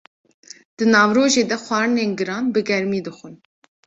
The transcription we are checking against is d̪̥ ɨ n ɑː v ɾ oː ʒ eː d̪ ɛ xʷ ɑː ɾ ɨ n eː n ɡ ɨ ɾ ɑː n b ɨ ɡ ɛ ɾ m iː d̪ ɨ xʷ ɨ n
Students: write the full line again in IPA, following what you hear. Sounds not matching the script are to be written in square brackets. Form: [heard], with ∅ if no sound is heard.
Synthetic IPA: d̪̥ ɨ n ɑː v ɾ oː ʒ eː d̪ ɛ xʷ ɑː ɾ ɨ n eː n ɡ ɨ ɾ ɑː n b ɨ ɡ ɛ ɾ m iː d̪ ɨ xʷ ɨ n